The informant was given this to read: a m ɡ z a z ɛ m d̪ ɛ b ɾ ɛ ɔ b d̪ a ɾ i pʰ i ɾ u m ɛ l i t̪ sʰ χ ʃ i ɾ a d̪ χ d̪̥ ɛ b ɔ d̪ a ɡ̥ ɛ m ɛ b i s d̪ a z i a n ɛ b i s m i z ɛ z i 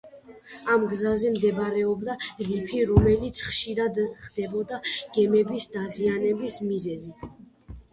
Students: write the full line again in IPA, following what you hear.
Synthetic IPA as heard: a m ɡ z a z ɛ m d̪ ɛ b ɾ ɛ ɔ b d̪ a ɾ i pʰ i ɾ ɔ m ɛ l i t̪ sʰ χ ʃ i ɾ a d̪ χ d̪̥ ɛ b ɔ d̪ a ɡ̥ ɛ m ɛ b i s d̪ a z i a n ɛ b i s m i z ɛ z i